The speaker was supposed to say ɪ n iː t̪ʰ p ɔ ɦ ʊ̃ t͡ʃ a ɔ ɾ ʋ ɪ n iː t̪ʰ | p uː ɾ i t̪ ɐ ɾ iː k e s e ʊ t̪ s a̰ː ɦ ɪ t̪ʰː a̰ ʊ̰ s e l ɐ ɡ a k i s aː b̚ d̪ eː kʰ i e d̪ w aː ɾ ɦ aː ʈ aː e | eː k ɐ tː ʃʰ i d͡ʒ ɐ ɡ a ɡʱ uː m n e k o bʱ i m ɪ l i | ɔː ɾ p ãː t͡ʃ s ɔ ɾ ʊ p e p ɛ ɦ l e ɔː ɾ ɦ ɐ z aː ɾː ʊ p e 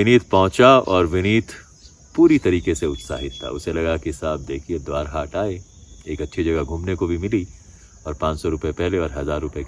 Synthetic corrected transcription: ɪ n iː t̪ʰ p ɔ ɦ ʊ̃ t͡ʃ a ɔː ɾ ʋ ɪ n iː t̪ʰ | p uː ɾ i t̪ ɐ ɾ iː k e s e ʊ t̪ s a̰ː ɦ ɪ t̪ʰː a̰ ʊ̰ s e l ɐ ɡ a k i s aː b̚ d̪ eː kʰ i e d̪ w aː ɾ ɦ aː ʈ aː e | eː k ɐ tː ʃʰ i d͡ʒ ɐ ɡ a ɡʱ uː m n e k o bʱ i m ɪ l i | ɔː ɾ p ãː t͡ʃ s ɔ ɾ ʊ p e p ɛ ɦ l e ɔː ɾ ɦ ɐ z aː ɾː ʊ p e